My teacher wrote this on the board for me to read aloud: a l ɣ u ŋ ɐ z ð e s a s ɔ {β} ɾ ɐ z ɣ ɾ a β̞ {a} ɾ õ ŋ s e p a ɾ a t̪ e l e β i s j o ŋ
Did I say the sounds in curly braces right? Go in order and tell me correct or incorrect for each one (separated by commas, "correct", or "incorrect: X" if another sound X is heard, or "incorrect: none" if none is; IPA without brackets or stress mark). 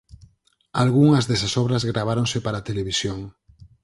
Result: correct, correct